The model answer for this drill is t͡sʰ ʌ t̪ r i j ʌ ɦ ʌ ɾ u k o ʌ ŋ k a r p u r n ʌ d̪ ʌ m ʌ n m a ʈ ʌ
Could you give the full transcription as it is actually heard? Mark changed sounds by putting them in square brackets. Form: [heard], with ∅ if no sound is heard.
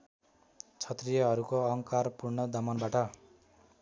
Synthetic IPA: t͡sʰ ʌ t̪ r i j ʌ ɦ ʌ ɾ u k o ʌ ŋ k a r p u r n ʌ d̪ ʌ m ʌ n [b] a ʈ ʌ